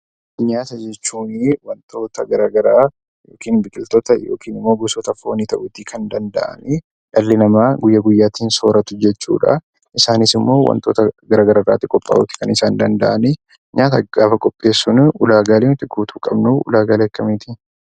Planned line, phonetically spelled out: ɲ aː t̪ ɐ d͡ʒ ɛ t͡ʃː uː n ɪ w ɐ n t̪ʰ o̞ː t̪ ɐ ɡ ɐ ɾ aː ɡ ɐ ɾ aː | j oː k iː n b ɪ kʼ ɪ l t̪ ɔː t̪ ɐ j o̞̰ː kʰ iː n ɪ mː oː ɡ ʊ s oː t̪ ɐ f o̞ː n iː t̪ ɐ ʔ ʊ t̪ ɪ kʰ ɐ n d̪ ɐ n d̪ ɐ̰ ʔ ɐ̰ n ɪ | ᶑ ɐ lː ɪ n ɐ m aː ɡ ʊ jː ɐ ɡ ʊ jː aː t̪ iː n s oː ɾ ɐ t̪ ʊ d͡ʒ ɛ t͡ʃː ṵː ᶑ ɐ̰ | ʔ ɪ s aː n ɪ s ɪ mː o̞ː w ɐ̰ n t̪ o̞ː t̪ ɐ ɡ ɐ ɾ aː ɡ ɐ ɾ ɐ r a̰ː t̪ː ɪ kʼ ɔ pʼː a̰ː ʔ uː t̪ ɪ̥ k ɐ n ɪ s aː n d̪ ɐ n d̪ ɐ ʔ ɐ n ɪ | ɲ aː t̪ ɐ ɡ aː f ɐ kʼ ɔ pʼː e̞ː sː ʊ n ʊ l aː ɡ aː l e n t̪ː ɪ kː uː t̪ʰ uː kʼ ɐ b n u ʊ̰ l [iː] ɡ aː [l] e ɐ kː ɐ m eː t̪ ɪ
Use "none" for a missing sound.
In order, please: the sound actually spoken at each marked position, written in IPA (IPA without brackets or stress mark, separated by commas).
aː, l